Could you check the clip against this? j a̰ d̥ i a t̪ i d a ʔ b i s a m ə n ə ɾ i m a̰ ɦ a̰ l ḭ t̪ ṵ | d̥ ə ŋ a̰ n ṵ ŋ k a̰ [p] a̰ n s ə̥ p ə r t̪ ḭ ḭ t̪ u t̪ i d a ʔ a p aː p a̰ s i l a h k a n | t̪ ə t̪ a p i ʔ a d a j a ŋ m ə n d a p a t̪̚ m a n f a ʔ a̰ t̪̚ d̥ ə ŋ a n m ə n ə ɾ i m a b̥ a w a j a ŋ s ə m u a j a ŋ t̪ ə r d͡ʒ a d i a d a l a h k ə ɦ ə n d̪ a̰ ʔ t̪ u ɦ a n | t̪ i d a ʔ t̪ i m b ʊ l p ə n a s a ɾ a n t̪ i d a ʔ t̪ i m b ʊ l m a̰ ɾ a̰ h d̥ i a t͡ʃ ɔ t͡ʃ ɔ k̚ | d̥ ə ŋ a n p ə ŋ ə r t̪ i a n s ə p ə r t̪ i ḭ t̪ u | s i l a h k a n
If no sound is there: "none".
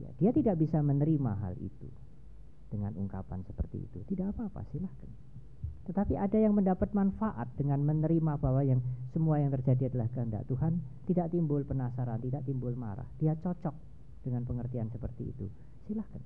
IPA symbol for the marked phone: p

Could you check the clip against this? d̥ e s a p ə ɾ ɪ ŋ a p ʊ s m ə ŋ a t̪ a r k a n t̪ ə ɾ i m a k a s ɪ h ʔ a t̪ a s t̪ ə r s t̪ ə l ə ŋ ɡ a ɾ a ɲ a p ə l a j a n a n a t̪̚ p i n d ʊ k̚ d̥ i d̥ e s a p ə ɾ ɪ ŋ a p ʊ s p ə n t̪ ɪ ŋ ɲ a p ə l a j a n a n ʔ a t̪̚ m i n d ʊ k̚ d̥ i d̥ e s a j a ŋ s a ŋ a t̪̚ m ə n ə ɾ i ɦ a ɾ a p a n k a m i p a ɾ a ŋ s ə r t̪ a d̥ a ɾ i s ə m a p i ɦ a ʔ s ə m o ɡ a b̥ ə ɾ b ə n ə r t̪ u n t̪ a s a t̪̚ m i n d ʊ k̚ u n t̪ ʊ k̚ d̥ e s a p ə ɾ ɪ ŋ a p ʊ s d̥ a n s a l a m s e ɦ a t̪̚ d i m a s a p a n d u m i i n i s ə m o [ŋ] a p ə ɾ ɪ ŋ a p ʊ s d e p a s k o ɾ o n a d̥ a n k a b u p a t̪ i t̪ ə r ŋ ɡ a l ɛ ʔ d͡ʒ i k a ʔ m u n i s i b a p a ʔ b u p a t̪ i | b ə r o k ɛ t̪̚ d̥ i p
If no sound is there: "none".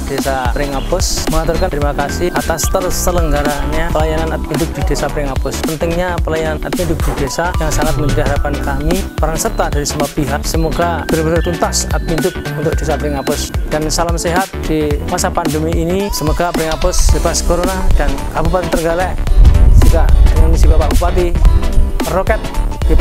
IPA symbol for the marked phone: ɡ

